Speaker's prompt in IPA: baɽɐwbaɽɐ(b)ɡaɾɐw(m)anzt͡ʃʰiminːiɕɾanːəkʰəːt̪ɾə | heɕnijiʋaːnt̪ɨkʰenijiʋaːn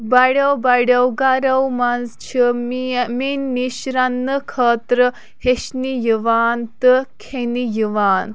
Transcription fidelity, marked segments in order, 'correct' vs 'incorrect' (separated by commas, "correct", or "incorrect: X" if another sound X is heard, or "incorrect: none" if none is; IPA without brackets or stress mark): incorrect: w, correct